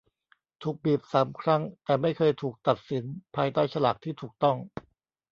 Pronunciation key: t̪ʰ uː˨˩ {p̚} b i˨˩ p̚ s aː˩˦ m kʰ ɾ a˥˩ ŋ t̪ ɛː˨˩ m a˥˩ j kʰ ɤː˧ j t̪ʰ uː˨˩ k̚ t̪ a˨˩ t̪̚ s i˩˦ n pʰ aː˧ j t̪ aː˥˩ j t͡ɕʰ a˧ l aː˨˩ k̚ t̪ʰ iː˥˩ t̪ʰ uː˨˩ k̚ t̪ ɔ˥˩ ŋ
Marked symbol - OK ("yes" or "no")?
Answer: no